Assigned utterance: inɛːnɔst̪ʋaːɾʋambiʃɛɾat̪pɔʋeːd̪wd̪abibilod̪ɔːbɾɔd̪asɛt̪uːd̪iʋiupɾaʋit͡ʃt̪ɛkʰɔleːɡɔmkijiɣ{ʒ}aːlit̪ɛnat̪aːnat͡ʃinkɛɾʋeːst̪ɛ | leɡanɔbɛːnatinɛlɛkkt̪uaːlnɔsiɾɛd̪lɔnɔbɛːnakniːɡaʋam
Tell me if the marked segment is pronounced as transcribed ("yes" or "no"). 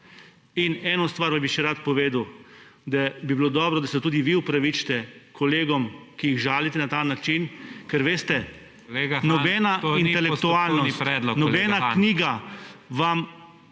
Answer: yes